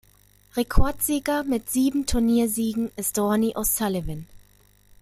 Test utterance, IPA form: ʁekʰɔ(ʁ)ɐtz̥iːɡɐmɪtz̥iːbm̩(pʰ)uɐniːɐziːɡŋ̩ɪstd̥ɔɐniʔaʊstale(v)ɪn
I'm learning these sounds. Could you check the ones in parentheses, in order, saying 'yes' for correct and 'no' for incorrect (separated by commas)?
no, no, yes